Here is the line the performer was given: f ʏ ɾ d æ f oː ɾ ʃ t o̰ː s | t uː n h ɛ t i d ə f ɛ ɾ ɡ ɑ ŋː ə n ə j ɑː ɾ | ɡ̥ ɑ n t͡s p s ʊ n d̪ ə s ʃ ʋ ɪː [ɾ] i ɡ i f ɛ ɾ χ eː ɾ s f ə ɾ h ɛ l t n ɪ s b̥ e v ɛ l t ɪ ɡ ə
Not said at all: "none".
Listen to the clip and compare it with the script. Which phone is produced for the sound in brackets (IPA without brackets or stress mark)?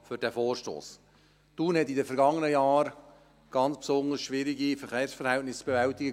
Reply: ɾ